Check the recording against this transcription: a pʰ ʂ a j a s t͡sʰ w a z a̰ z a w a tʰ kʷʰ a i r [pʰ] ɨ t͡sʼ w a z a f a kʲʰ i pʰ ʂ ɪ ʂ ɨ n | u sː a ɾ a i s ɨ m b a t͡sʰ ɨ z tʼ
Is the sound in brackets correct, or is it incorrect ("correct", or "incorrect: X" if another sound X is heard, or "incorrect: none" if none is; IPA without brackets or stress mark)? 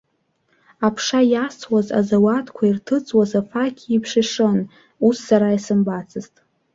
incorrect: tʰ